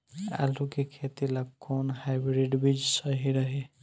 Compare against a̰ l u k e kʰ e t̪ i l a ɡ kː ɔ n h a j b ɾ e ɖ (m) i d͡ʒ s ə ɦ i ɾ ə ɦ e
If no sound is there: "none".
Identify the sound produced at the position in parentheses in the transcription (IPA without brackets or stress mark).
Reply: b